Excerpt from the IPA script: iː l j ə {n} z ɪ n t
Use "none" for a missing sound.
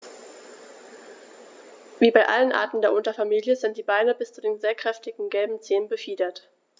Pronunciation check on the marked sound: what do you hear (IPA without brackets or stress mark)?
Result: none